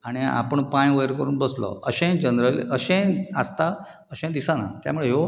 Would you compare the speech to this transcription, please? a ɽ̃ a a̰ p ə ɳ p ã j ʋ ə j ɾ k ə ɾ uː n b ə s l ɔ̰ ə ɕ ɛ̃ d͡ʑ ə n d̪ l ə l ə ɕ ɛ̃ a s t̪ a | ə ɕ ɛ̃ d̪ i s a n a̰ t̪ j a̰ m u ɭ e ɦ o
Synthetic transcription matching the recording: a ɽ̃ i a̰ p ə ɳ p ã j ʋ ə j ɾ k ə ɾ uː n b ə s l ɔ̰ ə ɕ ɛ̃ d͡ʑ ə n d̪ ɾ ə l ə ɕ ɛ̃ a s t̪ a | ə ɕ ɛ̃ d̪ i s a n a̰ t̪ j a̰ m u ɭ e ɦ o